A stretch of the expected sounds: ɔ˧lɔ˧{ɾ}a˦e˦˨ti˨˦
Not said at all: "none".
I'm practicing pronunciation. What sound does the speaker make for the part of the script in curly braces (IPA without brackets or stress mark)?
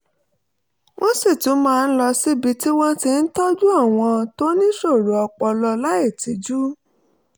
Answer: l